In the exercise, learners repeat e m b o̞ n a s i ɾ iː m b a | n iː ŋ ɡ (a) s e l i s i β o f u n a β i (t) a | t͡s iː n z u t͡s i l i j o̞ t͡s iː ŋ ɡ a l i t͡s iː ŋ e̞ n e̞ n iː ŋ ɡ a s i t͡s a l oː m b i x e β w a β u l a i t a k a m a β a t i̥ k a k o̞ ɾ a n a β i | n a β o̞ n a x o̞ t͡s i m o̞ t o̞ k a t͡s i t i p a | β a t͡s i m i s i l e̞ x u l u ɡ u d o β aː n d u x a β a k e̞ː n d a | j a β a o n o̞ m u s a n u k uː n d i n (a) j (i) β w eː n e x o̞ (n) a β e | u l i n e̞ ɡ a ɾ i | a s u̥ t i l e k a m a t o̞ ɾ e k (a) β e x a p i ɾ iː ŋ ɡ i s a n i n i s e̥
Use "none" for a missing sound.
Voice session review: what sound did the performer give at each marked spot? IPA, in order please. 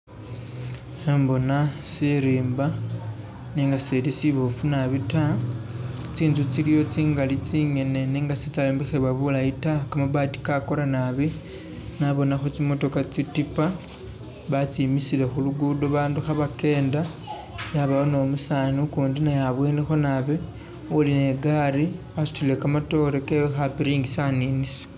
a, t, a, a, n, e

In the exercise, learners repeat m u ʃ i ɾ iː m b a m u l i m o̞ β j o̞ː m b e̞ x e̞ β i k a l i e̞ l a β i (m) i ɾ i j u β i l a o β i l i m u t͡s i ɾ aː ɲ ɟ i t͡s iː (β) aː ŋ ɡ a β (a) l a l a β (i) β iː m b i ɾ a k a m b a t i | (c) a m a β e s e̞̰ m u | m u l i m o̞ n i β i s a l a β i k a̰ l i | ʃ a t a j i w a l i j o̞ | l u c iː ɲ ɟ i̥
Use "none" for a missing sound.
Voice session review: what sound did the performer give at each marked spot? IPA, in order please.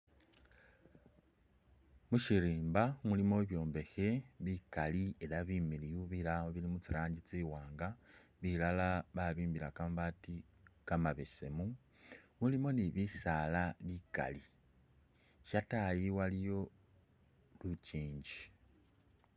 m, w, i, a, k

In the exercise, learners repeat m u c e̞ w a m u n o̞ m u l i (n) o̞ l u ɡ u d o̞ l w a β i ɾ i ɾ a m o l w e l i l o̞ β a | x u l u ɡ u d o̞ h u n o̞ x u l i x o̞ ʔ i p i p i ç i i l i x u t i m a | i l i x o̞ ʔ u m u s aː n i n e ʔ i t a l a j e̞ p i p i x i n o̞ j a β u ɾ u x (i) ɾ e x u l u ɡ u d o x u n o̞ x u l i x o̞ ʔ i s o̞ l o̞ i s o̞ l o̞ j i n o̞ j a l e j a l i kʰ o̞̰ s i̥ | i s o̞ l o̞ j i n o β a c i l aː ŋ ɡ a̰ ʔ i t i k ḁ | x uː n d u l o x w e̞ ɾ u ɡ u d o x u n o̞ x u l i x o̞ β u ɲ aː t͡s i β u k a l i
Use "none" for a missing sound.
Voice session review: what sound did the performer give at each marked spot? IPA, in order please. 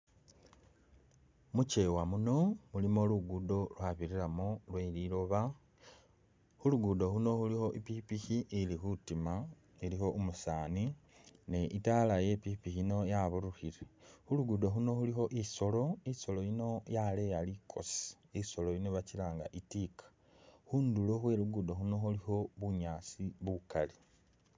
m, i

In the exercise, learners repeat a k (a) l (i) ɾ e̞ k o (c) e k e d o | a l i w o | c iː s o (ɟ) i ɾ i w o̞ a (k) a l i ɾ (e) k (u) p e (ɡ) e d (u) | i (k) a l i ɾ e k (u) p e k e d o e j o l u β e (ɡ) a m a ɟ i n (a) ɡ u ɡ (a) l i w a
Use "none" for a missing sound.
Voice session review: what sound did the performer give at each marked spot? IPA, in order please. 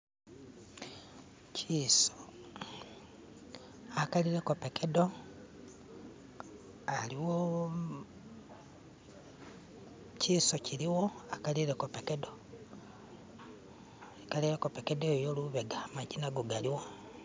a, i, p, c, k, e, o, k, o, k, o, ɡ, a, a

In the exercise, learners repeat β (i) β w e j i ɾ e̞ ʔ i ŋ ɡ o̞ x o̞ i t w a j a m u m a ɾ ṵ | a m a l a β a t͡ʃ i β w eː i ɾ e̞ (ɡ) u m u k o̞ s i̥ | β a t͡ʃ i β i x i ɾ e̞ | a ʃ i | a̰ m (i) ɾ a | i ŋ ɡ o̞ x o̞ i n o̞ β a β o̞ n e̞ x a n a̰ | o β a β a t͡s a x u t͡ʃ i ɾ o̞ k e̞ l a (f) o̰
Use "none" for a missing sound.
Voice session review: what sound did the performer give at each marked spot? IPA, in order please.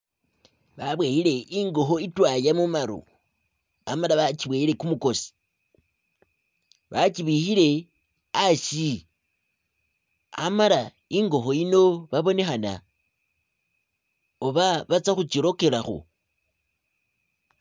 a, k, a, x

